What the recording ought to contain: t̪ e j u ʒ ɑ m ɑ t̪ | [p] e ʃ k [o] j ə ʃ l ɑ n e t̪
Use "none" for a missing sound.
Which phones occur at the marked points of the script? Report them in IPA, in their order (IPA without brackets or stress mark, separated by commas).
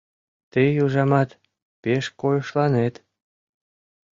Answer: p, o